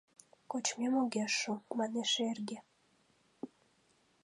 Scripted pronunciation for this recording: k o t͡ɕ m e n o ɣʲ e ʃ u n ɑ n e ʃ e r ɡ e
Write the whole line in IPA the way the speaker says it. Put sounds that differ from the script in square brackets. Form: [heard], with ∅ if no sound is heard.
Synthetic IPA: k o t͡ɕ m e [m] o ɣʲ e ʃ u [m] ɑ n e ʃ e r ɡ e

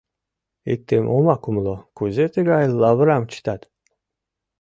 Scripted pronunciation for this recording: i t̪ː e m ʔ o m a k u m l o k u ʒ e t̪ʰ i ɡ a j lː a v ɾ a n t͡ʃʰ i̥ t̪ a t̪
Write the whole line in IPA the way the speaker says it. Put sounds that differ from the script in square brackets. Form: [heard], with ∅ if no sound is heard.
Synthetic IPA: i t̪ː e m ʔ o m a k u m l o k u [z] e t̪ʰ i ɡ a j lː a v ɾ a [m] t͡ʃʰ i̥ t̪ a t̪

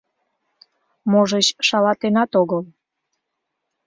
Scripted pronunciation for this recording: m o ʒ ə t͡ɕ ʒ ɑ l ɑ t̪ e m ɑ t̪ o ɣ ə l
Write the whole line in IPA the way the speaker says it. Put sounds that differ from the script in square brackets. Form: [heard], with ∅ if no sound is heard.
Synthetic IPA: m o ʒ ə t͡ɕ [ʃ] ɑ l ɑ t̪ e [n] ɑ t̪ o ɣ ə l

